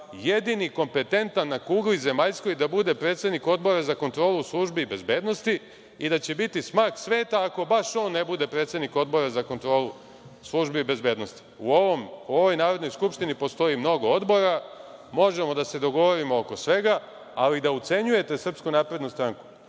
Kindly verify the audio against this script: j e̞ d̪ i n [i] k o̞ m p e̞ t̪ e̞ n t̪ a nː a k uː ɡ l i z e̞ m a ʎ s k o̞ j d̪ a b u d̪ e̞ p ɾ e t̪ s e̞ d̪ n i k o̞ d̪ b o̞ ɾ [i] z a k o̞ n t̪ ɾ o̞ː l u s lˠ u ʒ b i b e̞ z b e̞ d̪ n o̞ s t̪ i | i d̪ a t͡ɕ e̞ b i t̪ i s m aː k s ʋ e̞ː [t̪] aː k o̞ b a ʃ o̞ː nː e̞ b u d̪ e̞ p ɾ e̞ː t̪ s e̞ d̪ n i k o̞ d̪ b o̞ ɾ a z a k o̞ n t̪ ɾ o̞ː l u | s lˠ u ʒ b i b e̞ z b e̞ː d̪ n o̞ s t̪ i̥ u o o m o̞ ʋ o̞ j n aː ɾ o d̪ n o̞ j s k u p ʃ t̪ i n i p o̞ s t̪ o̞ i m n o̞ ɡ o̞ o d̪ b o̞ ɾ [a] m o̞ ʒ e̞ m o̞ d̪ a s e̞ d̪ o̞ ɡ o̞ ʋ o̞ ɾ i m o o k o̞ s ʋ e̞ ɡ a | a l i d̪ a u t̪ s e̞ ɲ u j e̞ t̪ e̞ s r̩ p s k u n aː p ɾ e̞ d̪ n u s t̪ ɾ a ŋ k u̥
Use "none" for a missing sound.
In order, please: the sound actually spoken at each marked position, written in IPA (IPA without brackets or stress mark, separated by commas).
i, a, t̪, a